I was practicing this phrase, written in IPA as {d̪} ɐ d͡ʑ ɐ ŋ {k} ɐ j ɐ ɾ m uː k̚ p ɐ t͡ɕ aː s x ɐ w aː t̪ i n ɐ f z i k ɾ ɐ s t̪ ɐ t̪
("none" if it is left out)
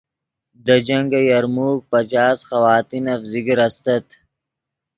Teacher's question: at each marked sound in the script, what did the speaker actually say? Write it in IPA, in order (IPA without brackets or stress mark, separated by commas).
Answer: d̪, ɡ